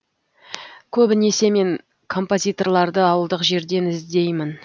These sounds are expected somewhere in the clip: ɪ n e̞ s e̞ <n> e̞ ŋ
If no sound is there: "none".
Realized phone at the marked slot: m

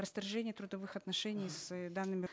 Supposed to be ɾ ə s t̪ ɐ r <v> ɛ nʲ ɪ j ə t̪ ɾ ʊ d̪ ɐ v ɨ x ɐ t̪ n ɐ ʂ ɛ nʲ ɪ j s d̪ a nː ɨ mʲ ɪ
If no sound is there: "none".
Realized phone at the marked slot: ʐ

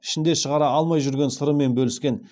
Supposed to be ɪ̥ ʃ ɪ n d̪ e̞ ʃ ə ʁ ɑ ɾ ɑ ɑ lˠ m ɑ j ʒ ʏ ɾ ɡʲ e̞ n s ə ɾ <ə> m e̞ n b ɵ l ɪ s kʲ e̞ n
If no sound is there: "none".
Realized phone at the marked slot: ə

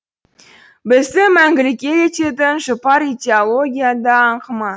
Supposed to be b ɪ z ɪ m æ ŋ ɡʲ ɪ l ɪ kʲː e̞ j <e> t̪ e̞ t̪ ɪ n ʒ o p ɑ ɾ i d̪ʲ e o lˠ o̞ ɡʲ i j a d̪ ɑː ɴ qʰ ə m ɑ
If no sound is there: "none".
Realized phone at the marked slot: e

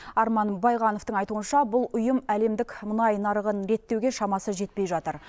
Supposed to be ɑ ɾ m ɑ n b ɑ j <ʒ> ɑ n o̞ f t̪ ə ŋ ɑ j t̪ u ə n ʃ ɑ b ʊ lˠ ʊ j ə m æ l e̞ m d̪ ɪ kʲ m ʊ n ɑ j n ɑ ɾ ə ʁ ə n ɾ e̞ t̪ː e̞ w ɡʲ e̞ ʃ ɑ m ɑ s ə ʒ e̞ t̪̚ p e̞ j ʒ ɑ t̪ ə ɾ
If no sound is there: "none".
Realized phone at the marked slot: ʁ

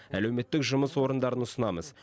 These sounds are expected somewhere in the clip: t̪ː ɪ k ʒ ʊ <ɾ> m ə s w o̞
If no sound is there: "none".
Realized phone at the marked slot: none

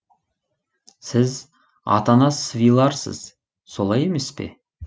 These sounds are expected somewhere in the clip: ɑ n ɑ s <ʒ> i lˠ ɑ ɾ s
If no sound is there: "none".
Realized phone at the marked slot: v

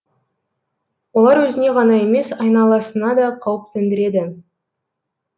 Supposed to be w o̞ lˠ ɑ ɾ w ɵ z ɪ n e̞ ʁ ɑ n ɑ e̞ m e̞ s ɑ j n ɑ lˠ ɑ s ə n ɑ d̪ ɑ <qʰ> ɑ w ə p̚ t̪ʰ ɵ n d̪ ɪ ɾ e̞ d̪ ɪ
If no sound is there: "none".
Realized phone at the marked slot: qʰ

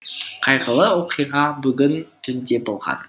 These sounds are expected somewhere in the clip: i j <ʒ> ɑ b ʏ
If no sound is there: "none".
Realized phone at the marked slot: ʁ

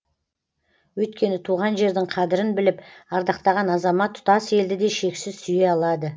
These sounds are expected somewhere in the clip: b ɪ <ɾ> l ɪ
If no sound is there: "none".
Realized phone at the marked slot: none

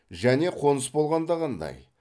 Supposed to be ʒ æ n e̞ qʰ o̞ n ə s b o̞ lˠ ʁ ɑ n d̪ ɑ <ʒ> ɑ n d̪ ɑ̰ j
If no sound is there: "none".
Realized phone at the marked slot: ʁ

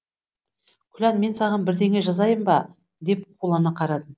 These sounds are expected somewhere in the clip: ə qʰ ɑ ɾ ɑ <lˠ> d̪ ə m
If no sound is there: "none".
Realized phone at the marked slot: none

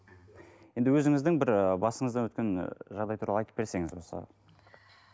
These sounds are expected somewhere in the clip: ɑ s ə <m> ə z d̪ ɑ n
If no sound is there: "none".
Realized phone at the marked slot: ɴ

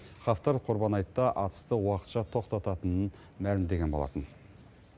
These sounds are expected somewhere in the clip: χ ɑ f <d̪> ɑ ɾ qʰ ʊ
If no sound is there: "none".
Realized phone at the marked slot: t̪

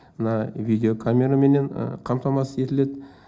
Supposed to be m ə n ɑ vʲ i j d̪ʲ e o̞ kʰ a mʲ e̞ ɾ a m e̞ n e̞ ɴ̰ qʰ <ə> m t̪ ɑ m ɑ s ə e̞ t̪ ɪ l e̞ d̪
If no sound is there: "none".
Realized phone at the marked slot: ɑ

